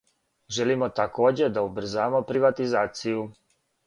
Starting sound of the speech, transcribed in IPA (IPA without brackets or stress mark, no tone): ʒ